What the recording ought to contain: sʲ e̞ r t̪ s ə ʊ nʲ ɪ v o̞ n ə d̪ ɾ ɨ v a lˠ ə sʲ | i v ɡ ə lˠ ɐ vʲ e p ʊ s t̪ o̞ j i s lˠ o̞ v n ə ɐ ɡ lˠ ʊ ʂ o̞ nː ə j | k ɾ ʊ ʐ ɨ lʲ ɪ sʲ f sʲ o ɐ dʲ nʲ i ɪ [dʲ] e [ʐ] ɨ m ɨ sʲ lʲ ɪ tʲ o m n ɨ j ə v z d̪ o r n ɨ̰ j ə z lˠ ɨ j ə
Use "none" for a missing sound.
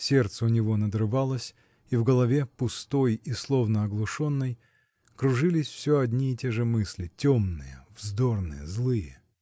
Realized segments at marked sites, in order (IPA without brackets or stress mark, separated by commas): tʲ, ʐ